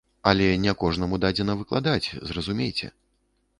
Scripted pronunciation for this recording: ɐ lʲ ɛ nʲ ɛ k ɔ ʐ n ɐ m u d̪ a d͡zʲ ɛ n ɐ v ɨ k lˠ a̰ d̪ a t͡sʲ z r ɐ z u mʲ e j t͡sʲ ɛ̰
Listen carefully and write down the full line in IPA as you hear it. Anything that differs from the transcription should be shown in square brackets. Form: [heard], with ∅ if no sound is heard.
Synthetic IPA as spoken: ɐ lʲ ɛ nʲ ɛ k ɔ ʐ n ɐ m u d̪ a d͡zʲ ɛ n ɐ v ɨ k lˠ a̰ d̪ a t͡sʲ z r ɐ z u mʲ e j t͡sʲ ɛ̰

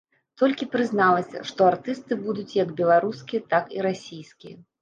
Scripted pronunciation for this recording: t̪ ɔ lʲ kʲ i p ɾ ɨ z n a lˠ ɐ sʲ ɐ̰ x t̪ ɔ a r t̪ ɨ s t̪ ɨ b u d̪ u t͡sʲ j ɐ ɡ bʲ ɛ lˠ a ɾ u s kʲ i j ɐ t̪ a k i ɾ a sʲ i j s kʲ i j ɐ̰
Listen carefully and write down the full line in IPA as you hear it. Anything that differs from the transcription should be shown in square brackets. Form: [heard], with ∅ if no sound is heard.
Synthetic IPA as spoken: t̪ ɔ lʲ kʲ i p ɾ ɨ z n a lˠ ɐ sʲ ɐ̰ [ʂ] t̪ ɔ a r t̪ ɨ s t̪ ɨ b u d̪ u t͡sʲ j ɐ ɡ bʲ ɛ lˠ a ɾ u s kʲ i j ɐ t̪ a k i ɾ a sʲ i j s kʲ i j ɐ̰

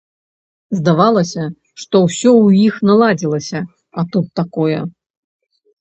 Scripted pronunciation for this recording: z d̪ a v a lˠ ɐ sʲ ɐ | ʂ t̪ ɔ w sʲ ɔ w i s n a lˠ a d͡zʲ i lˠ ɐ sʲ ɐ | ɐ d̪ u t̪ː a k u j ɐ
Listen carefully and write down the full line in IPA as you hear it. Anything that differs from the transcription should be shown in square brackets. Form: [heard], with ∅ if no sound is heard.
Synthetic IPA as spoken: z d̪ a v a lˠ ɐ sʲ ɐ | ʂ t̪ ɔ w sʲ ɔ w i [x] n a lˠ a d͡zʲ i lˠ ɐ sʲ ɐ | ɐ [t̪] u t̪ː a k [ɔ] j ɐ

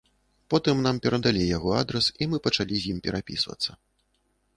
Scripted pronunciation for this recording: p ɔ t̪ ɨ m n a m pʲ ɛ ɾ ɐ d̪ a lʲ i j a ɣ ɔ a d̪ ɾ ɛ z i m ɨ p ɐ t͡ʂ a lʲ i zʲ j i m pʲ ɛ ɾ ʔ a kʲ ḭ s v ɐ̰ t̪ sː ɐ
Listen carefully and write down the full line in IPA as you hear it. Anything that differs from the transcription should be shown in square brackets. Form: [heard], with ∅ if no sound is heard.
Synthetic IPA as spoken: p ɔ t̪ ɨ m n a m pʲ ɛ ɾ ɐ d̪ a lʲ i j a ɣ ɔ a d̪ ɾ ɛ [s] i m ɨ p ɐ t͡ʂ a lʲ i zʲ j i m pʲ ɛ ɾ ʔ a [pʲ] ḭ s v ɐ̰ t̪ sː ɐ

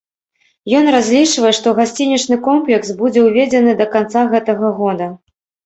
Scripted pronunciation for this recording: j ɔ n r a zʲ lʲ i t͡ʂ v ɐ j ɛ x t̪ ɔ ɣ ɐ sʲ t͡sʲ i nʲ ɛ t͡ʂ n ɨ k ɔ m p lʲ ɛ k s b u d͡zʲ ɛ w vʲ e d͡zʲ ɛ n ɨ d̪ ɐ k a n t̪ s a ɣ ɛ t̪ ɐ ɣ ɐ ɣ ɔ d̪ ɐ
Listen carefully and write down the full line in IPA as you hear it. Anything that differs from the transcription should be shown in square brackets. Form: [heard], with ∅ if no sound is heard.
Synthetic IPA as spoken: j ɔ n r a zʲ lʲ i t͡ʂ v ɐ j ɛ [ʂ] t̪ ɔ ɣ [a] sʲ t͡sʲ i nʲ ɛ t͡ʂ n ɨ k ɔ m p lʲ ɛ k s b u d͡zʲ ɛ w vʲ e d͡zʲ ɛ n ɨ d̪ ɐ k a n t̪ s a ɣ ɛ t̪ ɐ ɣ ɐ ɣ ɔ d̪ ɐ

